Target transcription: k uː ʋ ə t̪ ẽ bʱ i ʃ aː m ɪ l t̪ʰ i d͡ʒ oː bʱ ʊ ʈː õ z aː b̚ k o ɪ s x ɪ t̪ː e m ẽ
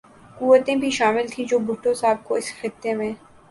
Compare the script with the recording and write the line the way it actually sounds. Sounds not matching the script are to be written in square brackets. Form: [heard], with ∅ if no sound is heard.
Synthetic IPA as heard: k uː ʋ ə t̪ ẽ bʱ i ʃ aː m ɪ l t̪ʰ [ĩ] d͡ʒ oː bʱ ʊ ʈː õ [s] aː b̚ k o ɪ s x ɪ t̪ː e m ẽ